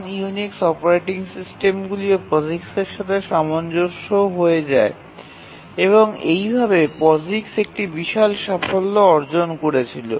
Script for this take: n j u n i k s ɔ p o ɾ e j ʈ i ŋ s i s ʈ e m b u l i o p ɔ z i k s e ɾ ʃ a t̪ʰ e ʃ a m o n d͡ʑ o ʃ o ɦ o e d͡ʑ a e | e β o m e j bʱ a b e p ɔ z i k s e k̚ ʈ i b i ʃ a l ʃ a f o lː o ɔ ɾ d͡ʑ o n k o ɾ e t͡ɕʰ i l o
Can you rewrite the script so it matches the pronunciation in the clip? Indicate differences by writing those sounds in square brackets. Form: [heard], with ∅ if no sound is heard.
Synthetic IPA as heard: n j u n i k s ɔ p o ɾ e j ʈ i ŋ s i s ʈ e m [ɡ] u l i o p ɔ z i k s e ɾ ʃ a t̪ʰ e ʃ a m o n d͡ʑ o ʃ o ɦ o e d͡ʑ a e | e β o [ŋ] e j bʱ a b e p ɔ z i k s e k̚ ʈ i b i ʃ a l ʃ a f o lː o ɔ ɾ d͡ʑ o n k o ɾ e t͡ɕʰ i l o